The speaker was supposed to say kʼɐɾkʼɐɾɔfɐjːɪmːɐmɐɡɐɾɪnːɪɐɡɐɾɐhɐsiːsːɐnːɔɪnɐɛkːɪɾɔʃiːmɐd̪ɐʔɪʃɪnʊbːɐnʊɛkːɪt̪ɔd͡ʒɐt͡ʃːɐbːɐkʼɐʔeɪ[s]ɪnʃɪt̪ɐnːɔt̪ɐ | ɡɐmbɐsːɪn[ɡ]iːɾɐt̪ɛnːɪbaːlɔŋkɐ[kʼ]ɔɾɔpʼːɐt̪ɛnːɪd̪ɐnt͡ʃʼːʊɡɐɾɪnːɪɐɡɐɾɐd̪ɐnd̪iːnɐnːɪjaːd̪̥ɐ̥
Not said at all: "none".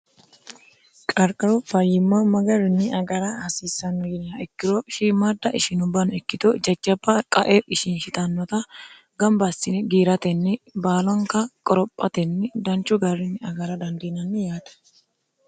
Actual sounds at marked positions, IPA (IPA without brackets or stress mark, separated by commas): ʃ, ɡ, kʼ